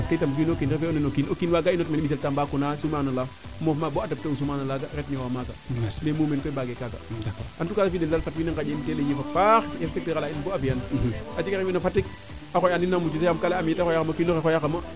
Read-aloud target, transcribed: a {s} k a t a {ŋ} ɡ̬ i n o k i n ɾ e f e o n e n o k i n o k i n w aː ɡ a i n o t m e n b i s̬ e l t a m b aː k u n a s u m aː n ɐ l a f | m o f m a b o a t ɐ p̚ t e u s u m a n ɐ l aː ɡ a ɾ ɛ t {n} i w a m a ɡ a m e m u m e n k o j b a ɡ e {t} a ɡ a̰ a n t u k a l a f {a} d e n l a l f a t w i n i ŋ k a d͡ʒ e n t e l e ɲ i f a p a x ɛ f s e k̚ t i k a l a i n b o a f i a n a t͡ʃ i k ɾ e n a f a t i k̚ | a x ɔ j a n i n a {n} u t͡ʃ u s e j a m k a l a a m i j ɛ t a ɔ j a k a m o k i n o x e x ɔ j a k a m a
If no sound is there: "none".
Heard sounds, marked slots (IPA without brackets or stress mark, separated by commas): s, m, n, k, i, m